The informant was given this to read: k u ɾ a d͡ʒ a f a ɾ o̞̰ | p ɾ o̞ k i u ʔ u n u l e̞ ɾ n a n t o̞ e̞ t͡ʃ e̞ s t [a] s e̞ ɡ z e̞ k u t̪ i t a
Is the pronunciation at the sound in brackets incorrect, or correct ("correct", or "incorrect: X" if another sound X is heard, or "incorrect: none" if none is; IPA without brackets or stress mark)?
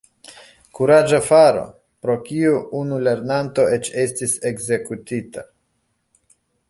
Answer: incorrect: i